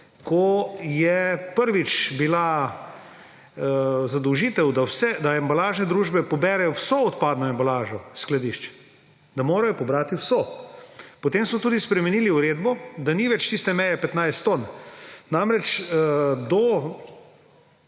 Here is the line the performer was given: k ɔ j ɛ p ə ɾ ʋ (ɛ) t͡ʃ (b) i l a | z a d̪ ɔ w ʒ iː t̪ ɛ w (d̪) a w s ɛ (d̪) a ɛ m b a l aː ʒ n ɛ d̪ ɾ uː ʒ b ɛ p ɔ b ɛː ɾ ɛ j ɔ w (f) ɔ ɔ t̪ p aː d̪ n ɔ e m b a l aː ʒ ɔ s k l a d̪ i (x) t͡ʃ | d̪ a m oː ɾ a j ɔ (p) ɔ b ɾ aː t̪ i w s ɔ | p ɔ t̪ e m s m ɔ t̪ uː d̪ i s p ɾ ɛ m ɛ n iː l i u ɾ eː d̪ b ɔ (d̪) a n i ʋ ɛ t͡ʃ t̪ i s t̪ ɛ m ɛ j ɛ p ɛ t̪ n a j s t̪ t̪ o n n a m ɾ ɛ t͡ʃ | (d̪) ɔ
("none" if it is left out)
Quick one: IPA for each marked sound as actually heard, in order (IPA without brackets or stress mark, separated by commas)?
i, b, d̪, d̪, s, ʃ, p, d̪, d̪